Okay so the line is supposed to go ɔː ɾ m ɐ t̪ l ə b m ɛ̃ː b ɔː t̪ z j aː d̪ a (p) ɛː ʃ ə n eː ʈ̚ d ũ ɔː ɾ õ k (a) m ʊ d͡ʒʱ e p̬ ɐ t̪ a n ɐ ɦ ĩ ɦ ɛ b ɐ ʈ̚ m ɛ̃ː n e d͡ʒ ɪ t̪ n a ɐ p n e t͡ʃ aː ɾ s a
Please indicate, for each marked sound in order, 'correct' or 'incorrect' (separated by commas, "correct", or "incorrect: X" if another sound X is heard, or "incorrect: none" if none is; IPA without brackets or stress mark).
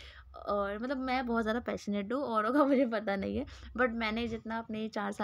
correct, correct